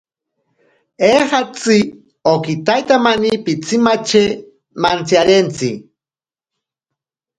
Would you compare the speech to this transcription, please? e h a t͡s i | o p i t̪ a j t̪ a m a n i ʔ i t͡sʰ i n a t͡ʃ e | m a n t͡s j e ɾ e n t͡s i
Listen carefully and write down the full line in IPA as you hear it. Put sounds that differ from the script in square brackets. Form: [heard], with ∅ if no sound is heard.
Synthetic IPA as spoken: e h a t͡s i | o [k] i t̪ a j t̪ a m a n i [p] i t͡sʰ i [m] a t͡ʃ e | m a n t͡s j [a] ɾ e n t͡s i